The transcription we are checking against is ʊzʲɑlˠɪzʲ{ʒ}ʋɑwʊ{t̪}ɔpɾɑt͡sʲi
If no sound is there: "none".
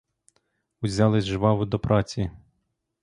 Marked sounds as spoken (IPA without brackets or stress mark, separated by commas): ʒ, d̪